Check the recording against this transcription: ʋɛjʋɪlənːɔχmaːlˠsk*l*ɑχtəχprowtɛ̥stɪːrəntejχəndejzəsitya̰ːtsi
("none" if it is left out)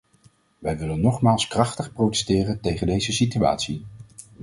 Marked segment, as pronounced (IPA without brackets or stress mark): r